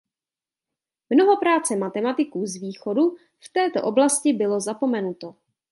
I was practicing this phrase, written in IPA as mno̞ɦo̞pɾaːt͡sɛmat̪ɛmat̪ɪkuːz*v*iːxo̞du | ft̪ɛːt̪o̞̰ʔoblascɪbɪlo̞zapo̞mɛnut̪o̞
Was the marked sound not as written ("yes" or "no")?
no